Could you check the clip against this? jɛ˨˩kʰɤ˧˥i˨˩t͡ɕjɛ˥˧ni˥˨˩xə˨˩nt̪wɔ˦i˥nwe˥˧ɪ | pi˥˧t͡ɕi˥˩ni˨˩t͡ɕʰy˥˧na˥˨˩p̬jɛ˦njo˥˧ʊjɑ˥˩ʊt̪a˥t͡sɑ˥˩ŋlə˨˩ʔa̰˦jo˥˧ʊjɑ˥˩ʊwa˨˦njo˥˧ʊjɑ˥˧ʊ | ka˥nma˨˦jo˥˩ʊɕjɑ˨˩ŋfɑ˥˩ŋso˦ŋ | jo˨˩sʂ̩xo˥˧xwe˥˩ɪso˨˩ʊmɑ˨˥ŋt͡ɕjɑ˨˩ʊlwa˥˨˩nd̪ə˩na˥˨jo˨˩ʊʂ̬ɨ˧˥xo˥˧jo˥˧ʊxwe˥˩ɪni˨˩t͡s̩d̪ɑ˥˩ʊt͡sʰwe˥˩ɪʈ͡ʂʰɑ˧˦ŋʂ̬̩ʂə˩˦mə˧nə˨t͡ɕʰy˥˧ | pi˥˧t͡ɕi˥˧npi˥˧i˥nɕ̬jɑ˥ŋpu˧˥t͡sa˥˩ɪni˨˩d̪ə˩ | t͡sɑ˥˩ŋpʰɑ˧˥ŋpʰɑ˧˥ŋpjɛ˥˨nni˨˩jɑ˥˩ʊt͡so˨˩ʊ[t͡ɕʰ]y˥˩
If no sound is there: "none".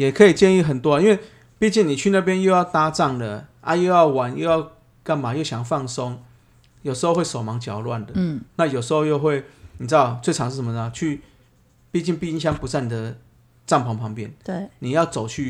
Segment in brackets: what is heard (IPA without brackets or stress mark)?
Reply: t͡ɕʰ